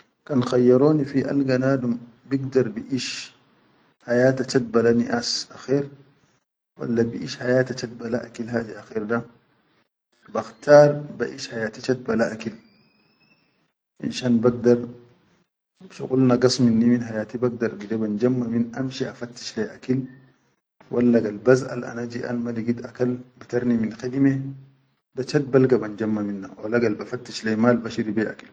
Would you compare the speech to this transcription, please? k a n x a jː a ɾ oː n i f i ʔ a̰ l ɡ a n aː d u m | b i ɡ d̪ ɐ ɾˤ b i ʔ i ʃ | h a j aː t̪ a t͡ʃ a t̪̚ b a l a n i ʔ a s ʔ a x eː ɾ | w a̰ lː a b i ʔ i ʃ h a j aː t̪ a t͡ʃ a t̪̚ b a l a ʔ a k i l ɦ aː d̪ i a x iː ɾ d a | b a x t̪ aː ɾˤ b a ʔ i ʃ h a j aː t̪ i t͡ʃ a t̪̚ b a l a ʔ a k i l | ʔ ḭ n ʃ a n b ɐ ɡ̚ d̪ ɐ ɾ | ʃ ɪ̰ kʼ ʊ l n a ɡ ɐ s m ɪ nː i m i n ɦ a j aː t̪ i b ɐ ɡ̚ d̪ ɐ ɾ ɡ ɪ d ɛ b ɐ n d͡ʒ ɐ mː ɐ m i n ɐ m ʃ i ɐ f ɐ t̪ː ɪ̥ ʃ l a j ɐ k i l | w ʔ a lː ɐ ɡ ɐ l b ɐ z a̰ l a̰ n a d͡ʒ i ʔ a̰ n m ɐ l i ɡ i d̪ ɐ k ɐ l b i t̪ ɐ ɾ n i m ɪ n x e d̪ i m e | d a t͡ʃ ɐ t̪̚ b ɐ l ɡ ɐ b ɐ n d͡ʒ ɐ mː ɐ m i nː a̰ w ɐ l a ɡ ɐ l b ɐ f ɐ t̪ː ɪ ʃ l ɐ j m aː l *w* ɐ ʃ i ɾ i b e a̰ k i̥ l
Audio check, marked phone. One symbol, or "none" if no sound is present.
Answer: b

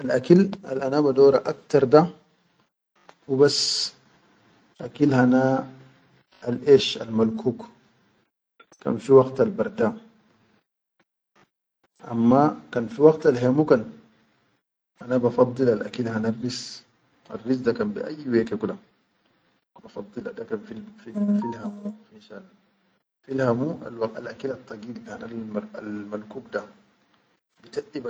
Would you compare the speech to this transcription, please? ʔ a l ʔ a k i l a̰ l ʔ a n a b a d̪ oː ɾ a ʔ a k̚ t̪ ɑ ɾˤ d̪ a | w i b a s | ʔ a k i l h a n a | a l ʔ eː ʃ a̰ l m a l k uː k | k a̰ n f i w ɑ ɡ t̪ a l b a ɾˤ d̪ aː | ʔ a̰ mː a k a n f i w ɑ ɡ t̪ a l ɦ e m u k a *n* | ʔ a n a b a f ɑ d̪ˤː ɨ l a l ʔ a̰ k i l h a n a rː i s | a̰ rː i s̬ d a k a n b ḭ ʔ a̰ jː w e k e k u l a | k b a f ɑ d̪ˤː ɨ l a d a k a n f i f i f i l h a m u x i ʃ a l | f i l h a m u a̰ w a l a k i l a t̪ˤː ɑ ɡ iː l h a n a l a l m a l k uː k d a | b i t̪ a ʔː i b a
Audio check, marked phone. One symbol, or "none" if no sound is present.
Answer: n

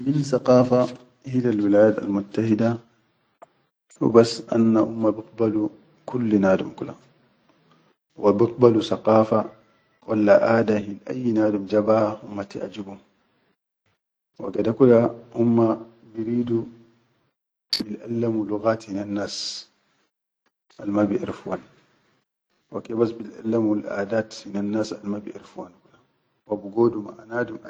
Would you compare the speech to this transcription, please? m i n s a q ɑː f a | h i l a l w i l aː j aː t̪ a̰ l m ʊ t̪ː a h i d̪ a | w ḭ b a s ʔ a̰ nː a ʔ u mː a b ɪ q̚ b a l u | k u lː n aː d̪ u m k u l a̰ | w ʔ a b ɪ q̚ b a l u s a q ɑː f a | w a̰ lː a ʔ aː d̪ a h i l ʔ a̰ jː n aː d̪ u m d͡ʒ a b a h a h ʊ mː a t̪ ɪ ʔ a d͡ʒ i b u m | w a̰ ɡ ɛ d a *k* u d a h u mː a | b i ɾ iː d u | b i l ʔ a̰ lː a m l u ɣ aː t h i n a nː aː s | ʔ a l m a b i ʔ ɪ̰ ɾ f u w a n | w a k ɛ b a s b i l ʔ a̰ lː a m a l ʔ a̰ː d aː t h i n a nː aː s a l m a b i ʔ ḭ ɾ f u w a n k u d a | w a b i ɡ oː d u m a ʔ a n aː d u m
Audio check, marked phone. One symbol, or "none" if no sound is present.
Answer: k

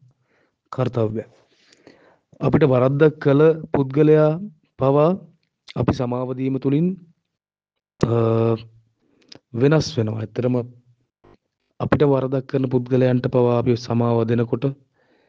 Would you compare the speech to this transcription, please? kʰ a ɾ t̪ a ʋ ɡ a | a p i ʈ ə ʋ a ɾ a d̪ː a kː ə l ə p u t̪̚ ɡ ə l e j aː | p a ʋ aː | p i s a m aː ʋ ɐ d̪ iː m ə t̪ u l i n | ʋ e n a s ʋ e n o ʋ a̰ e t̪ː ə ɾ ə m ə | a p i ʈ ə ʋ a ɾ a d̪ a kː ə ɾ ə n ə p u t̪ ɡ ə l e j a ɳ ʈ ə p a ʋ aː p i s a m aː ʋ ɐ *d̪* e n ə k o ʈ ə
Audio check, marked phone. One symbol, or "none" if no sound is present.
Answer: d̪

